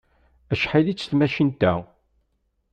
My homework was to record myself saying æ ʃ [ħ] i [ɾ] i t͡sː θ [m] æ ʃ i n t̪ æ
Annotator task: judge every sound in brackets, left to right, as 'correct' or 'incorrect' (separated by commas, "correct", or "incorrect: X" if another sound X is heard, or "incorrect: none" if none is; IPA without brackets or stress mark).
correct, incorrect: l, correct